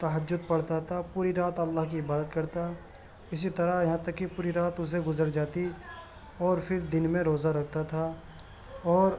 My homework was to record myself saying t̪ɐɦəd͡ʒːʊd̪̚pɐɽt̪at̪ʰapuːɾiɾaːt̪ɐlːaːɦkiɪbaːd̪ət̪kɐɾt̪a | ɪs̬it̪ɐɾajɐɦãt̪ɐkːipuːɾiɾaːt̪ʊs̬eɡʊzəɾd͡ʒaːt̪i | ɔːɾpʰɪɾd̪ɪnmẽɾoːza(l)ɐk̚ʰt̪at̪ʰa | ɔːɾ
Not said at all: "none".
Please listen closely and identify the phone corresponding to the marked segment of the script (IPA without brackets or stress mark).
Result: ɾ